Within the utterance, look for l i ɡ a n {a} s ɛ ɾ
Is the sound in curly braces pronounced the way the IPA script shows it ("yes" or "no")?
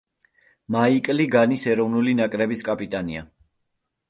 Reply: no